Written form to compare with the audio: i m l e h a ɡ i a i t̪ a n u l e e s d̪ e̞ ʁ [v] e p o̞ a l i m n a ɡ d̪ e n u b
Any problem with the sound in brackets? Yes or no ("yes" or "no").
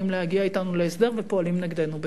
no